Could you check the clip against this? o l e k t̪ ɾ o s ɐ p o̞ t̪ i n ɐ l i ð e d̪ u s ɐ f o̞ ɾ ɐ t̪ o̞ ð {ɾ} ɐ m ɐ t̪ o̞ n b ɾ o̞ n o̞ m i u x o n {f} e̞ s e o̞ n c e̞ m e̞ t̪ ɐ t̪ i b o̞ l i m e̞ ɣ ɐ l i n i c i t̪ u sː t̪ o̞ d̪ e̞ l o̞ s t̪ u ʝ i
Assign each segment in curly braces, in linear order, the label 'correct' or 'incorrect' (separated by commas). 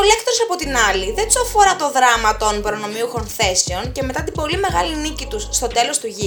correct, incorrect